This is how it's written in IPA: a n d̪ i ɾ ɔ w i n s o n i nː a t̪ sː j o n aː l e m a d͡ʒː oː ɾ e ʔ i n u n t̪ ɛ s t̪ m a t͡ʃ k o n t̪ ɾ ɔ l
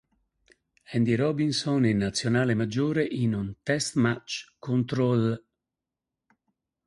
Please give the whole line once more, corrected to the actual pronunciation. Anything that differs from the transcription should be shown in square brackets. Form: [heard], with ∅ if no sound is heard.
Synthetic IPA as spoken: [ɛ] n d̪ i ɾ ɔ [b] i n s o n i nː a t̪ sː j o n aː l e m a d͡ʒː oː ɾ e ʔ i n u n t̪ ɛ s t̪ m a t͡ʃ k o n t̪ ɾ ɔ l